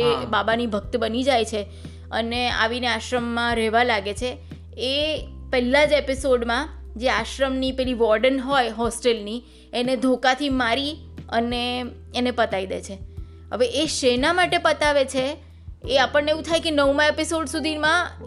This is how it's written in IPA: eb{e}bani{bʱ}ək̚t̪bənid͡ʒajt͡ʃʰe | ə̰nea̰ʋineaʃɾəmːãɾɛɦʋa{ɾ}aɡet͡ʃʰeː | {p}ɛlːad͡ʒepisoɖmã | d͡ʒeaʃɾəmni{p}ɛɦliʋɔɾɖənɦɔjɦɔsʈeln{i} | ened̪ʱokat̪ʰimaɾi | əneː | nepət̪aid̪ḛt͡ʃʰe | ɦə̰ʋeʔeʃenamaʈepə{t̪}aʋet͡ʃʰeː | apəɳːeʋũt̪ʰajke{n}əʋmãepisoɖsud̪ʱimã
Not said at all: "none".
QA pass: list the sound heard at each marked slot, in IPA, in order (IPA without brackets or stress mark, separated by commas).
a, bʱ, l, p, p, i, t̪, n